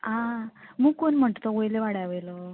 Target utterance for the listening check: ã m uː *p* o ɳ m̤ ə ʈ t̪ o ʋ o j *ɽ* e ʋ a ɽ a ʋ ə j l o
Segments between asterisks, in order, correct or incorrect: incorrect: k, incorrect: l

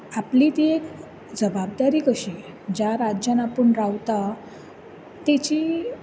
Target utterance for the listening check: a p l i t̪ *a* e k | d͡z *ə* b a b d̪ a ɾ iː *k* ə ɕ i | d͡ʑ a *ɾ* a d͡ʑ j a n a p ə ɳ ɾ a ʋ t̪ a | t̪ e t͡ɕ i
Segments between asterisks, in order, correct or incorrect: incorrect: i, correct, correct, correct

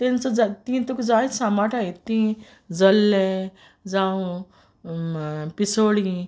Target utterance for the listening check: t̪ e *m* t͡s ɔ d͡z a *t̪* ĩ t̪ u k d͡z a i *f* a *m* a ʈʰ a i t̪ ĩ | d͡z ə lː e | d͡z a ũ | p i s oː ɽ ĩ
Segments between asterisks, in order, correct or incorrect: incorrect: n, correct, incorrect: s, correct

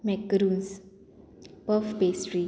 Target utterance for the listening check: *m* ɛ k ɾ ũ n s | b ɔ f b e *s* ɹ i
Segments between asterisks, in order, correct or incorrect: correct, correct

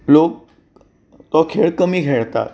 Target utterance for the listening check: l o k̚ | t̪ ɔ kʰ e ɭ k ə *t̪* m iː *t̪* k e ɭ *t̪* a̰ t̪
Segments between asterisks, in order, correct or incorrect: incorrect: none, incorrect: none, correct

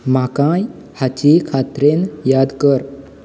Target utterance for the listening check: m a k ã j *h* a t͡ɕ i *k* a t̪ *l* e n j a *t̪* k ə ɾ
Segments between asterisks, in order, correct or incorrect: correct, incorrect: kʰ, incorrect: ɾ, incorrect: d̪

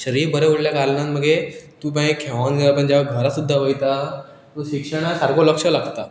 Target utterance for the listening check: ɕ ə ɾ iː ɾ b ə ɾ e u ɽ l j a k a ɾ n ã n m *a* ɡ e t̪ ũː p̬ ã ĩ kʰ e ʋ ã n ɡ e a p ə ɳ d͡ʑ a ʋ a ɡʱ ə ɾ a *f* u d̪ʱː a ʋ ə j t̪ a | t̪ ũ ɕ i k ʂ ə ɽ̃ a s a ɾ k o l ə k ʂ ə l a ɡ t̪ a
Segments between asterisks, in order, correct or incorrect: incorrect: ə, incorrect: s

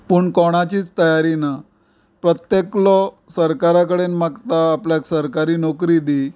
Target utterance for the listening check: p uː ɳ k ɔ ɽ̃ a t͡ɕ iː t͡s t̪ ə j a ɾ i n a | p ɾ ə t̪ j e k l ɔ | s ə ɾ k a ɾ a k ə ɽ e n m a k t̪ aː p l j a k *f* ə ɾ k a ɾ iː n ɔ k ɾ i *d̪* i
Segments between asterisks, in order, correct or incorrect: incorrect: s, correct

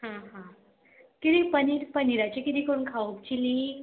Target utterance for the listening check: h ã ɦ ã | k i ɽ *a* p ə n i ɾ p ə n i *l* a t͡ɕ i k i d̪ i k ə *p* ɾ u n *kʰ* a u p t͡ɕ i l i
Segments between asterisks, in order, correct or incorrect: incorrect: i, incorrect: ɾ, incorrect: none, correct

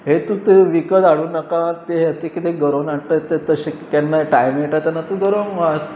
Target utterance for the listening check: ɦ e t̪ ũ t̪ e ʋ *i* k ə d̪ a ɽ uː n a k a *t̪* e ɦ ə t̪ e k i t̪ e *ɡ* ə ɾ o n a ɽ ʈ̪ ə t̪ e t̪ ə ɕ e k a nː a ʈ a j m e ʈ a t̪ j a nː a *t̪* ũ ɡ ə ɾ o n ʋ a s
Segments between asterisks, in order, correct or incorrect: correct, correct, correct, correct

